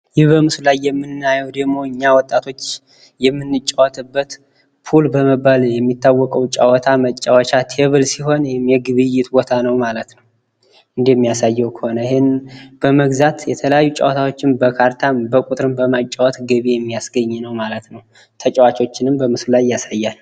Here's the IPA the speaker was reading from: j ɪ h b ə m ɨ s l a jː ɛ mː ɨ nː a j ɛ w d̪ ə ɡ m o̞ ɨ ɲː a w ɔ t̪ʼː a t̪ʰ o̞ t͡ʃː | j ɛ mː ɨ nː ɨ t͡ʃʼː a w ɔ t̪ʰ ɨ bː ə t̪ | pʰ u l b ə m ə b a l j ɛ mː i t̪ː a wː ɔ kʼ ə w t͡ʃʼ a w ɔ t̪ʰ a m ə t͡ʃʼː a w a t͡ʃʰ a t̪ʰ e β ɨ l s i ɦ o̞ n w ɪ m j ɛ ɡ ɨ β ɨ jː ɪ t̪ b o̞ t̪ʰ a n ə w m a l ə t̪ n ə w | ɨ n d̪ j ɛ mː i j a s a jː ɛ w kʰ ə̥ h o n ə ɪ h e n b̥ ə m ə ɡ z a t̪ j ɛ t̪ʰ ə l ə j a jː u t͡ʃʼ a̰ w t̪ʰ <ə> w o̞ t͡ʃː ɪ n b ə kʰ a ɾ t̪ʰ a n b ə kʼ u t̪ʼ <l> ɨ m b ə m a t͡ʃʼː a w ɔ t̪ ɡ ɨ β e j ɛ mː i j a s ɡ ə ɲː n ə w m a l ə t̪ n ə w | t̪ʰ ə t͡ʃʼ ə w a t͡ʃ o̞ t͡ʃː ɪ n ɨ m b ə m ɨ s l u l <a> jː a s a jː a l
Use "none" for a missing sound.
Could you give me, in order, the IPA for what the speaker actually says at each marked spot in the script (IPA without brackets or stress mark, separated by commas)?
a, ɾ, a